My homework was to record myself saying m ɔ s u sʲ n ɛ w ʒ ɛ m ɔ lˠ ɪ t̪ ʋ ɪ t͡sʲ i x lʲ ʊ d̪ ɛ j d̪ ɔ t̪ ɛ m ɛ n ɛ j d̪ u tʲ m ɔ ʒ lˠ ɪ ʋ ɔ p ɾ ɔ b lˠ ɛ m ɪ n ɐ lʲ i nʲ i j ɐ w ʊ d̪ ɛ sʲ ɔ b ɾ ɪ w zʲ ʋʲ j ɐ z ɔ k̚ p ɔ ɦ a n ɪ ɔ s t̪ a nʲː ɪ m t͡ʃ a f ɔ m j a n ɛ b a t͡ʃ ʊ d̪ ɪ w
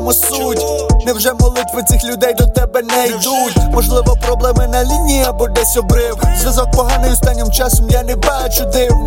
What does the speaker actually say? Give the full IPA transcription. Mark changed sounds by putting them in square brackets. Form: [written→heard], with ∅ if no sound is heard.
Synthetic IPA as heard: m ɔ s u [sʲ→tʲ] n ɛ w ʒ ɛ m ɔ lˠ ɪ t̪ ʋ ɪ t͡sʲ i x lʲ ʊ d̪ ɛ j d̪ ɔ t̪ ɛ [m→b] ɛ n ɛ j d̪ u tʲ m ɔ ʒ lˠ ɪ ʋ ɔ p ɾ ɔ b lˠ ɛ m ɪ n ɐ lʲ i nʲ i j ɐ [w→b] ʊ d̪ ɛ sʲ ɔ b ɾ ɪ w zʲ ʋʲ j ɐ z ɔ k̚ p ɔ ɦ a n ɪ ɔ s t̪ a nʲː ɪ m t͡ʃ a [f→s] ɔ m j a n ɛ b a t͡ʃ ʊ d̪ ɪ w